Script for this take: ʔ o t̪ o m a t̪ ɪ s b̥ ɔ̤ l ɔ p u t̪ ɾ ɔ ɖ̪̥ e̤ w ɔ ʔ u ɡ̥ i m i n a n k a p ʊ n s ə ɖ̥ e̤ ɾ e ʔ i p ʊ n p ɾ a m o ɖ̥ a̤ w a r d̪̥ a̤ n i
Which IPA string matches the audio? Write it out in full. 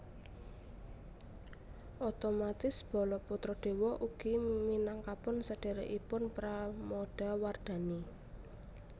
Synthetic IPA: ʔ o t̪ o m a t̪ ɪ s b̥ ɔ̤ l ɔ p u t̪ ɾ ɔ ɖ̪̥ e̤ w ɔ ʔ u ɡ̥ i m i n a ŋ k a p ʊ n s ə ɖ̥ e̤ ɾ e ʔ i p ʊ n p ɾ a m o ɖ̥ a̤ w a r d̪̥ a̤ n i